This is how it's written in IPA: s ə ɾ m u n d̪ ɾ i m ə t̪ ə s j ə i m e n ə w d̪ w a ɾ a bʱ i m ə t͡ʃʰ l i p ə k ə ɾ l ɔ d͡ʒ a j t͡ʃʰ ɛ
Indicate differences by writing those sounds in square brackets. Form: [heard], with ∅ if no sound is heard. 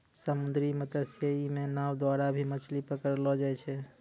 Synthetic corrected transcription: s ə [∅] m u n d̪ ɾ i m ə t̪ ə s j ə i m e n [a] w d̪ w a ɾ a bʱ i m ə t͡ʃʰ l i p ə k ə ɾ l ɔ d͡ʒ a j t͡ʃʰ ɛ